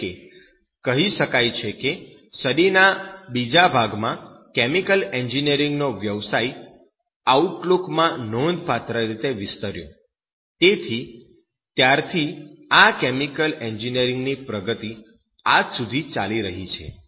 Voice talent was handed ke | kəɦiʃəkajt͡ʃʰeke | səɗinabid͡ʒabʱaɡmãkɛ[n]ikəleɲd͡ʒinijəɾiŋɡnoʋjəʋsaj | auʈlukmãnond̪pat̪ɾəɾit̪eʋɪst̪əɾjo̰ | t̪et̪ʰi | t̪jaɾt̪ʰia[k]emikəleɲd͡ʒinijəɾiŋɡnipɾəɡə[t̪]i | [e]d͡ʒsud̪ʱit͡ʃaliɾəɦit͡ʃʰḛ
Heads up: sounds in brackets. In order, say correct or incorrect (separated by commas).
incorrect, correct, correct, incorrect